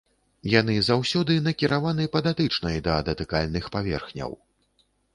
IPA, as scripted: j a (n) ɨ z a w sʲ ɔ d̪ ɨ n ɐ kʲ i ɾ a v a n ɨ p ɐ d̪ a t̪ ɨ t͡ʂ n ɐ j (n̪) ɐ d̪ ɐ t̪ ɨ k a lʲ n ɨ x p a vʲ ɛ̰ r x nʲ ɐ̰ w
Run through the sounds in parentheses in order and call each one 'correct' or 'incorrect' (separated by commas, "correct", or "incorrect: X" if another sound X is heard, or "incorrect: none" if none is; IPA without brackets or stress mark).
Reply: correct, incorrect: d̪